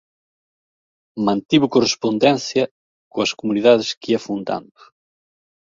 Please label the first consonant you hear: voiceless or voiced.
voiced